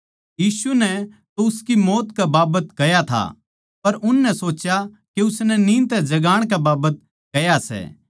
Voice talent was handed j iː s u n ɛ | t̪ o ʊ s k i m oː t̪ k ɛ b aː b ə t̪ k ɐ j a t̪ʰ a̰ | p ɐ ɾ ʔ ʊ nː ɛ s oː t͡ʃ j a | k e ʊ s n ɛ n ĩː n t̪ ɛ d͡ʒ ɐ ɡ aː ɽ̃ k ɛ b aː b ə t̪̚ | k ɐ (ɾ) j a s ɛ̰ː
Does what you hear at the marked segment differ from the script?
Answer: yes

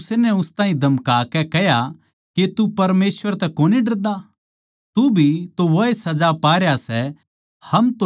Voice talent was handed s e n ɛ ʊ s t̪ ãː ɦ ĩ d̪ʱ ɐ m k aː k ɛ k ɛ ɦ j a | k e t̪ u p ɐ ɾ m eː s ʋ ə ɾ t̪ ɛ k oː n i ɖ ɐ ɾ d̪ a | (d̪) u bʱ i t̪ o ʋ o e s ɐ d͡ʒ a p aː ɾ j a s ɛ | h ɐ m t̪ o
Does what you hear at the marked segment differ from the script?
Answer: yes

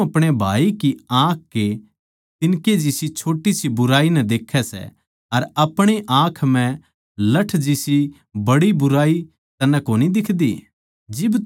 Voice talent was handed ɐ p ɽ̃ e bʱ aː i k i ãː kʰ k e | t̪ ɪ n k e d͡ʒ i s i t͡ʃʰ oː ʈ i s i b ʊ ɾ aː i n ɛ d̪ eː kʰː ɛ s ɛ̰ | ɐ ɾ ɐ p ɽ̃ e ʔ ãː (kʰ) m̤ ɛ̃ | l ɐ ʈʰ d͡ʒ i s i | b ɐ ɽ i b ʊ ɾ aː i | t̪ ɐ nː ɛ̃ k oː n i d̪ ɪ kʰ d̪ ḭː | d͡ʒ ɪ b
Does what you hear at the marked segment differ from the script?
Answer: no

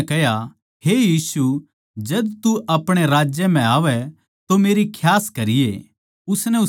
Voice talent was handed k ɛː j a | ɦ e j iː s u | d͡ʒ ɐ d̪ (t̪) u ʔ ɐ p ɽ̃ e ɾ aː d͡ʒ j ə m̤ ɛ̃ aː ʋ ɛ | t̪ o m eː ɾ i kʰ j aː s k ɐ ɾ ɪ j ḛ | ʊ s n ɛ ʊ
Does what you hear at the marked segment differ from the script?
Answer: no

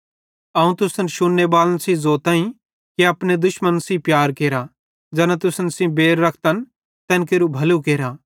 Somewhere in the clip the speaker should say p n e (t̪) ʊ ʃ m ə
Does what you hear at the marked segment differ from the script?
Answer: yes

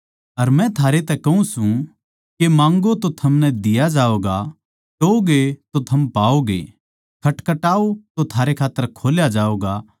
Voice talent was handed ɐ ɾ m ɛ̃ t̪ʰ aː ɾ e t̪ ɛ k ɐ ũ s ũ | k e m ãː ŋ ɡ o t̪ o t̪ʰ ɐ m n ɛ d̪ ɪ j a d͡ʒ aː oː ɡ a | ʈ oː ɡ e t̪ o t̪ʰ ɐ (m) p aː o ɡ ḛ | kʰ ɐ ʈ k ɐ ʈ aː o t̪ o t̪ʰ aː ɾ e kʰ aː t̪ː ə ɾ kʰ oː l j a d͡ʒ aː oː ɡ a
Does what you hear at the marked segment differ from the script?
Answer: no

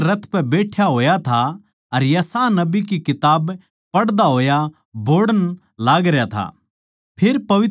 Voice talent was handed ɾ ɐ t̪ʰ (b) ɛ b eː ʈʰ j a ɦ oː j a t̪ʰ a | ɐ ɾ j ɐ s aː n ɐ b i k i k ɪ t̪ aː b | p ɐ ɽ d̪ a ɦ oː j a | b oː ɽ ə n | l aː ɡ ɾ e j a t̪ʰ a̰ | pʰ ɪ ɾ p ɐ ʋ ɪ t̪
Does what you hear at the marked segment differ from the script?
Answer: yes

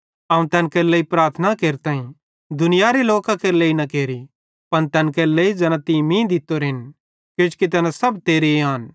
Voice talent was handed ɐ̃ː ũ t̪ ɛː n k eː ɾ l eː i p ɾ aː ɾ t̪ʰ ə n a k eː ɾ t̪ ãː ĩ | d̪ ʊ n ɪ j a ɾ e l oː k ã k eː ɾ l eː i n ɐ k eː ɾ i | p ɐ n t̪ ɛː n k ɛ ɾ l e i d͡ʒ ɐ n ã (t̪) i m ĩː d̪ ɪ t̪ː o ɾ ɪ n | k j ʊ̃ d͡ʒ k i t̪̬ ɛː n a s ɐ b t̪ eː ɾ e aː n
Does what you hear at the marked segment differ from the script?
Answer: no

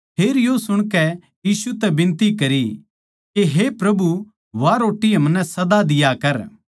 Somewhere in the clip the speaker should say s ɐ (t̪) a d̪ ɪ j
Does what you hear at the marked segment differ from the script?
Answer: yes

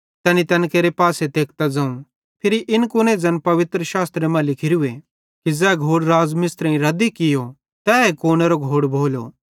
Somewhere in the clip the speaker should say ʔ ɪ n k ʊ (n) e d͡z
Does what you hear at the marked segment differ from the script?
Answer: no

